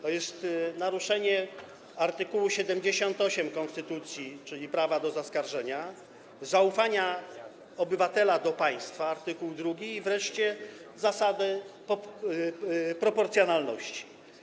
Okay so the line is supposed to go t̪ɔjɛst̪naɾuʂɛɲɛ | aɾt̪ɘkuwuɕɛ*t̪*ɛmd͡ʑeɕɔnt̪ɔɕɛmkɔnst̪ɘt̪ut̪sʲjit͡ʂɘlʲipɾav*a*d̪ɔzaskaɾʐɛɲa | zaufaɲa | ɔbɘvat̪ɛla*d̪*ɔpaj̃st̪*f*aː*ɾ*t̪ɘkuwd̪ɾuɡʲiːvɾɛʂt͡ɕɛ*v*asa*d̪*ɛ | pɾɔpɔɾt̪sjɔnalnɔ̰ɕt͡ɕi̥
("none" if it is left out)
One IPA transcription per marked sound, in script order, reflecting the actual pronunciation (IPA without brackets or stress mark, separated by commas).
d̪, a, d̪, f, ɾ, z, d̪